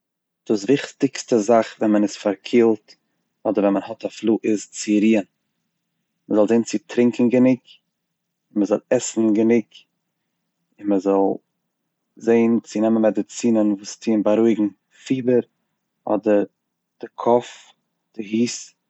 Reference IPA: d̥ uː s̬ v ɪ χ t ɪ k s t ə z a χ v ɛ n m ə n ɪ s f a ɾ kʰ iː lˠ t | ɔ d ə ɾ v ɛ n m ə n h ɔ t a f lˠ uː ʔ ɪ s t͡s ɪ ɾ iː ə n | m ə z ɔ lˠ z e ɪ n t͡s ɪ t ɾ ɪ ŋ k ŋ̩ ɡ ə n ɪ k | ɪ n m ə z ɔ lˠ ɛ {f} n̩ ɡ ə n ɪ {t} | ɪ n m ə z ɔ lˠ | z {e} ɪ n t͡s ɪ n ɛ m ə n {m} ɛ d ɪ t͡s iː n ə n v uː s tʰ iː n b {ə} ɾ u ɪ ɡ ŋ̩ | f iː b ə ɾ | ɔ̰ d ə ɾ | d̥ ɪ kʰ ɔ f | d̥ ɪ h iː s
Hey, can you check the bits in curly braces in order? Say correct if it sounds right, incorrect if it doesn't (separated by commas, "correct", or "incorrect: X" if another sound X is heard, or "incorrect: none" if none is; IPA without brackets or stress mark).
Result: incorrect: s, incorrect: k, correct, correct, incorrect: a